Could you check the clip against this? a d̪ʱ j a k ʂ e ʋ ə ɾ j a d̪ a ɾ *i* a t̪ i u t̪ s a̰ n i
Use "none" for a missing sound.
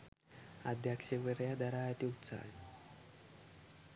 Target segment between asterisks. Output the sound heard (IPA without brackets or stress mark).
a